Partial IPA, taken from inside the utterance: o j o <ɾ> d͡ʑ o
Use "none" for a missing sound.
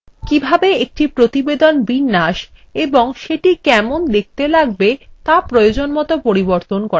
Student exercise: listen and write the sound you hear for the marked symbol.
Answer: none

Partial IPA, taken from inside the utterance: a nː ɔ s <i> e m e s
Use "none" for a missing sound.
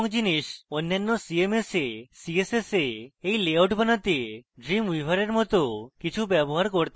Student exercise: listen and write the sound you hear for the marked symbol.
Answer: i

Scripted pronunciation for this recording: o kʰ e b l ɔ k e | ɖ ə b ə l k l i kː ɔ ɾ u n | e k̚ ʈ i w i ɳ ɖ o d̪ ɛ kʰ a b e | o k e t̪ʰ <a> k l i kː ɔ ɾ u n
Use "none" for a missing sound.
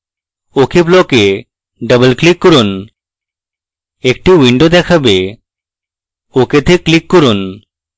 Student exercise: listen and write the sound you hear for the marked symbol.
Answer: e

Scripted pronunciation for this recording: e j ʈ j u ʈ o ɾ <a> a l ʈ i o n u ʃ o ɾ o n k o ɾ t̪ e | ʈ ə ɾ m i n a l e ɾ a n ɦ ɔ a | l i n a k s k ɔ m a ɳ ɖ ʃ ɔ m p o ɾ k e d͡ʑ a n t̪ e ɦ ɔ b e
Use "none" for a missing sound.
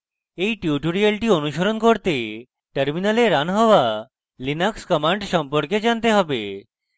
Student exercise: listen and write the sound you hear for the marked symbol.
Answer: i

